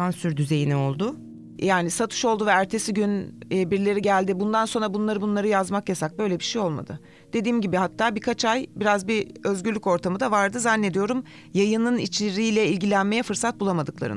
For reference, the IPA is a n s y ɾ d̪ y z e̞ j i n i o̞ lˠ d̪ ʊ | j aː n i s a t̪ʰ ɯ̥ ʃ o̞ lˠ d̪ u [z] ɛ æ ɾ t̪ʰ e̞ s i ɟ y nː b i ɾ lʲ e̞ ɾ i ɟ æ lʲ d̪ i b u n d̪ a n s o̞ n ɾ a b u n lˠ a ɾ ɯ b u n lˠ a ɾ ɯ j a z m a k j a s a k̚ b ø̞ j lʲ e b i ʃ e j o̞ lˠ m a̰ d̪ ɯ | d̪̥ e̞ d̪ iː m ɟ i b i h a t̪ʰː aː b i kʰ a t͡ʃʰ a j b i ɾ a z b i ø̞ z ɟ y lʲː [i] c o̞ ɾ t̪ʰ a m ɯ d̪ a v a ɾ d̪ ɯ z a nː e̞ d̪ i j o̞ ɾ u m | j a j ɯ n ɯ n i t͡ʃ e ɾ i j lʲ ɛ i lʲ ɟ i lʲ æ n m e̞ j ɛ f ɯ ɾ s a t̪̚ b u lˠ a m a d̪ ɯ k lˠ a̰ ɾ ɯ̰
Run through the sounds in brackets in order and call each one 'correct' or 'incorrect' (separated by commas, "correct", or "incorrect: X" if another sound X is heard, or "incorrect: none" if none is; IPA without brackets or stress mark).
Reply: incorrect: v, incorrect: y